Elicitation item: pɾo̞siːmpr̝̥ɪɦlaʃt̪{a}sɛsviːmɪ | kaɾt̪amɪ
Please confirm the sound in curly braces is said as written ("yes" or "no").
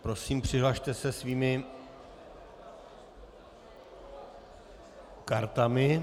no